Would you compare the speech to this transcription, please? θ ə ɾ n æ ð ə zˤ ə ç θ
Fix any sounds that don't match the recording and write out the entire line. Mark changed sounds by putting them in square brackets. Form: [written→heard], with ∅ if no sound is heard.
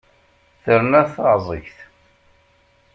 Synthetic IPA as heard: θ ə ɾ n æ [ð→θ] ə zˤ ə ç θ